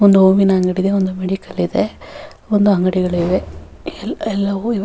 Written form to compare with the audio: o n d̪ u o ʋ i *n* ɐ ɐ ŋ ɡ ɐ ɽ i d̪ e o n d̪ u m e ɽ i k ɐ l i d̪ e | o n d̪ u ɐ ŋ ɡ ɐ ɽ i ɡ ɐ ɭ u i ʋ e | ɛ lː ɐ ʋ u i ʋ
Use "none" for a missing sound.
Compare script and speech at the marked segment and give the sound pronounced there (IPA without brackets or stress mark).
n